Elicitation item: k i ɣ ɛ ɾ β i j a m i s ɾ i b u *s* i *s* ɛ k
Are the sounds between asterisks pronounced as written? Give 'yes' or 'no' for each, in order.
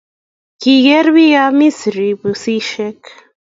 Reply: yes, no

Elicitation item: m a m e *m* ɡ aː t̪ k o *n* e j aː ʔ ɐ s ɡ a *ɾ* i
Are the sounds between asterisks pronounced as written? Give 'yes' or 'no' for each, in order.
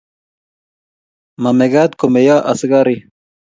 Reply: no, no, yes

